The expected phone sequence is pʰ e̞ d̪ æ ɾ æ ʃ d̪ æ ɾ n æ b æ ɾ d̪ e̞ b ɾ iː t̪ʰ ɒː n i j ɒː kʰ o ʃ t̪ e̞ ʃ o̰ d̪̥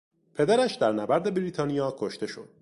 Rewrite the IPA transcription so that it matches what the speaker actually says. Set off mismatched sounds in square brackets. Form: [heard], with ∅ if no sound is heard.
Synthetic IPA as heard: pʰ e̞ d̪ æ ɾ æ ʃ d̪ æ ɾ n æ b æ ɾ d̪ e̞ b ɾ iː t̪ʰ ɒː n i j ɒː kʰ o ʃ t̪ e̞ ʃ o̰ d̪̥